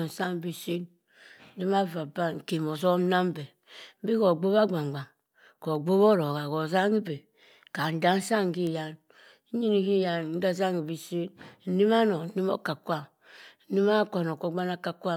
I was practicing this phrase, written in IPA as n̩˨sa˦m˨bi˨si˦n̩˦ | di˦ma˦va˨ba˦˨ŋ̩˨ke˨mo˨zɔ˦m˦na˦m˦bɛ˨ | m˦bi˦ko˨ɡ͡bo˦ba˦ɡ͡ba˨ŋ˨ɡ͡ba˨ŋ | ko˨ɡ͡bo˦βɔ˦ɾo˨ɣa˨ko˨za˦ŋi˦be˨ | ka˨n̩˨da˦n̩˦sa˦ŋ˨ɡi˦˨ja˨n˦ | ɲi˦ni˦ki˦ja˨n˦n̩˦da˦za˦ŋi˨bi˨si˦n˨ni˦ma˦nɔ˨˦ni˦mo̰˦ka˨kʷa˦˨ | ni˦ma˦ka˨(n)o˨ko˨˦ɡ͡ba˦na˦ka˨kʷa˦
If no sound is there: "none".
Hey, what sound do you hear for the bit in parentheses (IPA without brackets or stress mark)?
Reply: n